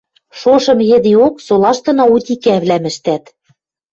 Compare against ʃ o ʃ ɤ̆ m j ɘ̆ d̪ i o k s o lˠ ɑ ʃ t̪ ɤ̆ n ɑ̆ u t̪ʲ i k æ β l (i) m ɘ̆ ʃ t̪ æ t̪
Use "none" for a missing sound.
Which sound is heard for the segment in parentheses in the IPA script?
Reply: æ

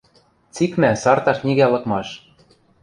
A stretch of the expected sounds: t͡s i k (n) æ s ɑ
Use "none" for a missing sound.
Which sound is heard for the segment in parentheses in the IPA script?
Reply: m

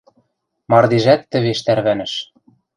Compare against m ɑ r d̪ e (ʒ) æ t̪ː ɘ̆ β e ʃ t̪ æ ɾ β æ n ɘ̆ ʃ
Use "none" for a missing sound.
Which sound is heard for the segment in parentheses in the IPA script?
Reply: ʒ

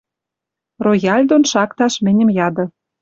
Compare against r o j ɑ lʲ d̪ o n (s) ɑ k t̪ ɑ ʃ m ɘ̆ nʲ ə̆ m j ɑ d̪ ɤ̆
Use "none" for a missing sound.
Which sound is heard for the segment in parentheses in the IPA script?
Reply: ʃ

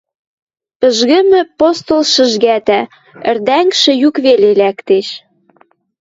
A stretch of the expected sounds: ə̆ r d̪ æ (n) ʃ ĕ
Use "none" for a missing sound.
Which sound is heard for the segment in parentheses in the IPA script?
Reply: ŋ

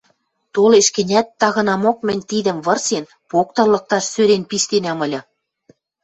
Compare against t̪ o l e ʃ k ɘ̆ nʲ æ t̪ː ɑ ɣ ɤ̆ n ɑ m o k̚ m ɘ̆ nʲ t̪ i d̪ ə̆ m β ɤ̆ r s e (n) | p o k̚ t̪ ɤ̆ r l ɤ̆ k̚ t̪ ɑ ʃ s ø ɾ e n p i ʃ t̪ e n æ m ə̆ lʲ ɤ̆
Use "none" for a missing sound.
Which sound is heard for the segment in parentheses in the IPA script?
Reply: n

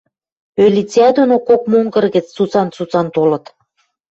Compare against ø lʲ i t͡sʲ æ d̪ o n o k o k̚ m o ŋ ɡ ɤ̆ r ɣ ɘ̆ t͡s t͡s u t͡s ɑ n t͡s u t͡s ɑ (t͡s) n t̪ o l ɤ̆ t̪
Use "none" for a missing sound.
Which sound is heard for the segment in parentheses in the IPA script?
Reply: none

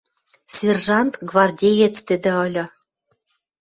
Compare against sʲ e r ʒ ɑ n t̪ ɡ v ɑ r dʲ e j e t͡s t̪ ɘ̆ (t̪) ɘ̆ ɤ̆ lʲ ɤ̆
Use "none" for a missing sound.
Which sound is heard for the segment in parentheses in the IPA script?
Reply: d̪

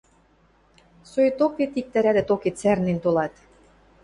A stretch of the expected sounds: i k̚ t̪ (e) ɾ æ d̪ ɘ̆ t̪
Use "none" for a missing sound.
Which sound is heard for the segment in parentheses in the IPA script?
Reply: æ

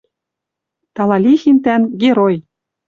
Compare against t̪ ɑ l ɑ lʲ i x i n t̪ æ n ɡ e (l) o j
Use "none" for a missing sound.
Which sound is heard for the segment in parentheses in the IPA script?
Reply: ɾ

